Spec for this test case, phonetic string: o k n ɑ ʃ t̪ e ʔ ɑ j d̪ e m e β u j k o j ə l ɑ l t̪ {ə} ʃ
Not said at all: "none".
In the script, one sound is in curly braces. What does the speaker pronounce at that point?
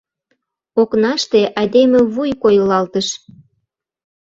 ə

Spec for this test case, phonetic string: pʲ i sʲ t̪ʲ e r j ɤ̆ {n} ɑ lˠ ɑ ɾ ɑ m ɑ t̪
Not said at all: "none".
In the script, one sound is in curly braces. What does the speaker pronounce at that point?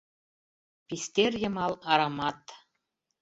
m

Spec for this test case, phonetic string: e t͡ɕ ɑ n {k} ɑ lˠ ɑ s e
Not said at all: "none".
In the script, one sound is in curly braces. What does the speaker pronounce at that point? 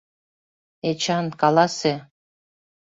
k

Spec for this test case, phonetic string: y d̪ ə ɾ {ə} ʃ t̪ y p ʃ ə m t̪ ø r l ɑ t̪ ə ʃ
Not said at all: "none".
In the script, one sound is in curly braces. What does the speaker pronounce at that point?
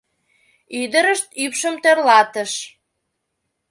ə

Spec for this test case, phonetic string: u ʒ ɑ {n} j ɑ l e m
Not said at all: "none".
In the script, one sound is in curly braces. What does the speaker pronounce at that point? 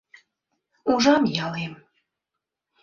m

